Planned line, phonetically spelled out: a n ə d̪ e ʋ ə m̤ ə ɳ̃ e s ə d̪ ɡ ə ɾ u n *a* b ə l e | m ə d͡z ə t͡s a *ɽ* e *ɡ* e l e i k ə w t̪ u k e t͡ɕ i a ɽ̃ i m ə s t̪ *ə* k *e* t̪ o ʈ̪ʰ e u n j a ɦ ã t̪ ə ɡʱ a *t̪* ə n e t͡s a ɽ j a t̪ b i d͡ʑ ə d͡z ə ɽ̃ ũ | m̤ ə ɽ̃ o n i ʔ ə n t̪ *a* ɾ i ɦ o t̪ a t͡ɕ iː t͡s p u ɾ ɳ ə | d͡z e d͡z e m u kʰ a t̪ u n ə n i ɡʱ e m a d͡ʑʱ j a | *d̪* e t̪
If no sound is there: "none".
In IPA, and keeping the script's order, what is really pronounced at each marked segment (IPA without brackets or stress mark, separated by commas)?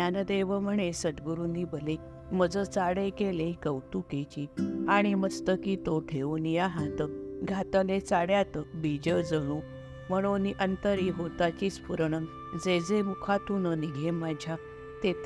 i, ɽ, k, ə, i, t̪, ə, t̪